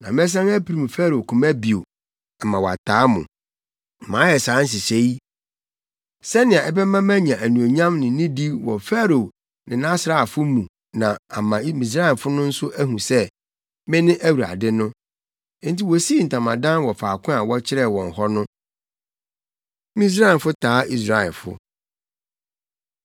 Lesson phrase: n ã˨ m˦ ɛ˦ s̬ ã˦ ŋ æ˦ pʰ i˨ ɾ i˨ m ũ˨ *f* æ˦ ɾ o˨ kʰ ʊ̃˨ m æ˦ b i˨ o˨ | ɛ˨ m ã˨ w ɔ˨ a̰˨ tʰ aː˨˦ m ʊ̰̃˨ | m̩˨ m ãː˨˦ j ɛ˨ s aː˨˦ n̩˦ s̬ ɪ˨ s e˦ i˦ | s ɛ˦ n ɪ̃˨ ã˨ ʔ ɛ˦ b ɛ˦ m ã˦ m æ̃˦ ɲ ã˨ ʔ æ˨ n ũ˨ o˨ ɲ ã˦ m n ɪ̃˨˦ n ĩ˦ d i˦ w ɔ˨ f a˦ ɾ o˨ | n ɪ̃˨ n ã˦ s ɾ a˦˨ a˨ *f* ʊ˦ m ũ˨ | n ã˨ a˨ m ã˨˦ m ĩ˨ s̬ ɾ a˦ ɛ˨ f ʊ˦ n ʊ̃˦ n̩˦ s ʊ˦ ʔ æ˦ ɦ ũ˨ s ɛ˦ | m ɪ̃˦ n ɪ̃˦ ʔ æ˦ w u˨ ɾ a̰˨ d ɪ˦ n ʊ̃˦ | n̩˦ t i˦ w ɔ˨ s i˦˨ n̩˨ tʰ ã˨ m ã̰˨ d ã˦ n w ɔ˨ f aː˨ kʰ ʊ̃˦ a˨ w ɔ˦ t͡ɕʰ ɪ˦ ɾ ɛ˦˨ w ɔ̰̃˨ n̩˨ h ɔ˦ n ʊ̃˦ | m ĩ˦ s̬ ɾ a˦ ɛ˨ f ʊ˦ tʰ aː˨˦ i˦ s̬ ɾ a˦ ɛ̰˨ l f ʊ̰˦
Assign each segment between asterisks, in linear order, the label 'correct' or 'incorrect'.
correct, correct

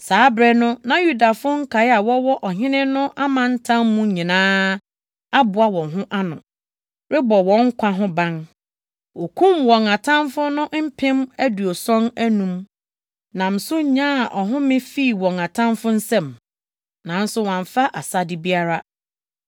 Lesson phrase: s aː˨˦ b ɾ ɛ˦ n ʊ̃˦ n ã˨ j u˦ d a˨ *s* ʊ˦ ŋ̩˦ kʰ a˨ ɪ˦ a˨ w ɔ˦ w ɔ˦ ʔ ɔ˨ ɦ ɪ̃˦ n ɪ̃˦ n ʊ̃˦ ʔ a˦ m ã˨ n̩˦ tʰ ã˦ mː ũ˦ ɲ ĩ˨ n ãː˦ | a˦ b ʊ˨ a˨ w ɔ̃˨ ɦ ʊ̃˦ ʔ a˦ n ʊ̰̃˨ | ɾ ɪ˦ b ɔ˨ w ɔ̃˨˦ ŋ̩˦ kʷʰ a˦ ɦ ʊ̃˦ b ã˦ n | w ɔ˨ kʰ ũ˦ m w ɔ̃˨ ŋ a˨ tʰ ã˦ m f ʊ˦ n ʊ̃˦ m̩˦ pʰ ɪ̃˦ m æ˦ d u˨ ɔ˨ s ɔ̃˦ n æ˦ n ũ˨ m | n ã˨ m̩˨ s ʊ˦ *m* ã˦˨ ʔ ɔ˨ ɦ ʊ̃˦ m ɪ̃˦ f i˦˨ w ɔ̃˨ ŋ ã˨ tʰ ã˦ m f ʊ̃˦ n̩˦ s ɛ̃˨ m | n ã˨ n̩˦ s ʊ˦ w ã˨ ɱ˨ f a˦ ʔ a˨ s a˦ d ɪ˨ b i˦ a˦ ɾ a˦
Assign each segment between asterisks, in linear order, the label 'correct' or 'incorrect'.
incorrect: f, incorrect: ɲ

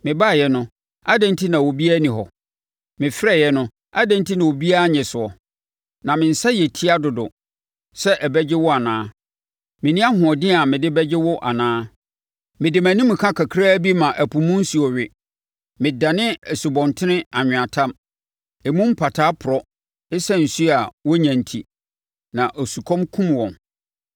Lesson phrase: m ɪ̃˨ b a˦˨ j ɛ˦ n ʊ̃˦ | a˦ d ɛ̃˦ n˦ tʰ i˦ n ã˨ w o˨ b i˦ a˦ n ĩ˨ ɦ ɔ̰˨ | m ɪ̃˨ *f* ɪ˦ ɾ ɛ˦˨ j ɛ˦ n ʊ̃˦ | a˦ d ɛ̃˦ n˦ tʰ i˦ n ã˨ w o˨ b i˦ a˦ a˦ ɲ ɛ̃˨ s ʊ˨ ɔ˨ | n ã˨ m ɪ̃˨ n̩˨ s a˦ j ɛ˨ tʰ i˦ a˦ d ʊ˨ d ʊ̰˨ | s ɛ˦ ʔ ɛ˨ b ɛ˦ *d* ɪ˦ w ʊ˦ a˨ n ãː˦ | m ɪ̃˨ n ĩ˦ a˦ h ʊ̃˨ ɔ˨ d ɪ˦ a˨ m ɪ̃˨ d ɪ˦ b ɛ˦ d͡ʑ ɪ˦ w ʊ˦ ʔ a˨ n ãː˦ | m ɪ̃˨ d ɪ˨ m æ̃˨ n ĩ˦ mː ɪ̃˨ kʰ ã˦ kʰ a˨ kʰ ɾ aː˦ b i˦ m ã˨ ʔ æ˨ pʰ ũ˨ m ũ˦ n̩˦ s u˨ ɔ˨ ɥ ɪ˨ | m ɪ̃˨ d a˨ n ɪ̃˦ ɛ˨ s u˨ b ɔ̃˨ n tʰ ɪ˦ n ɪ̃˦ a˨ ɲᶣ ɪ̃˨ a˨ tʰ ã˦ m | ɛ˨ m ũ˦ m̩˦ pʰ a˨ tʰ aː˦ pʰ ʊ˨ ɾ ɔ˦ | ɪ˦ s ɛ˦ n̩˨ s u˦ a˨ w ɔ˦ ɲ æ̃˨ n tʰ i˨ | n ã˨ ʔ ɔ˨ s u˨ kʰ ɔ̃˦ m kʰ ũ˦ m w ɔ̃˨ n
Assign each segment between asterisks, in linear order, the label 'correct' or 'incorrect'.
correct, incorrect: d͡ʑ

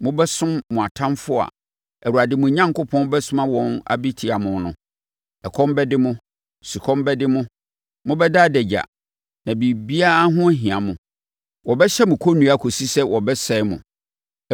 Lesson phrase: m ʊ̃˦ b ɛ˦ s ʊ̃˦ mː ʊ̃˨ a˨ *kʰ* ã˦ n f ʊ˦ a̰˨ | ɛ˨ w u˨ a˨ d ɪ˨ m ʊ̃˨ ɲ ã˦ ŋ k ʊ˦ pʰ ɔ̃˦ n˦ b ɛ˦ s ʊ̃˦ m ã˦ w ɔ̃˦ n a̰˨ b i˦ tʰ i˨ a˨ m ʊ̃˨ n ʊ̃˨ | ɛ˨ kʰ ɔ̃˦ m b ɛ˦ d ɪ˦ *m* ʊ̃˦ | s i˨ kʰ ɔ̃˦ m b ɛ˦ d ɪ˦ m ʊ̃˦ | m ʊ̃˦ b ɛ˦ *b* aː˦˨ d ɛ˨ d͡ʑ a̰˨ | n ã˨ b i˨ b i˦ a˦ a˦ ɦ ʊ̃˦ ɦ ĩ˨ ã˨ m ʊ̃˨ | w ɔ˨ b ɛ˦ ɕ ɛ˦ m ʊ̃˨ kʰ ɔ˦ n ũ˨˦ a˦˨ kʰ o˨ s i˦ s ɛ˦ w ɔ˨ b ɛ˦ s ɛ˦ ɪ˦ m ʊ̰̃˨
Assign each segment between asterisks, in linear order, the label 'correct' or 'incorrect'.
incorrect: tʰ, correct, incorrect: d

